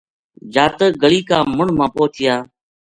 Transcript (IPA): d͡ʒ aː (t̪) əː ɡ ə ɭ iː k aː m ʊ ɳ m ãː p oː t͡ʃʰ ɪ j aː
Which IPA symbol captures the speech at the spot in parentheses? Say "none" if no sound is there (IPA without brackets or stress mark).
t̪